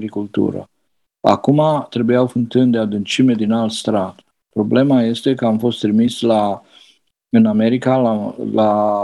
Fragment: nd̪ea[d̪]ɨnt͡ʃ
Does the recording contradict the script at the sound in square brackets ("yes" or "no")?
no